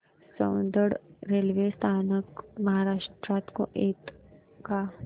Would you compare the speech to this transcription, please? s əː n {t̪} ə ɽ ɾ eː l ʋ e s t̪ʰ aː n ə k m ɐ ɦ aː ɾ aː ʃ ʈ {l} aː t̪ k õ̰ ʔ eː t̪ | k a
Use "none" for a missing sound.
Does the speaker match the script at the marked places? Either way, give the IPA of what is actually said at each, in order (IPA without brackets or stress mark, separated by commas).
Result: d̪, ɾ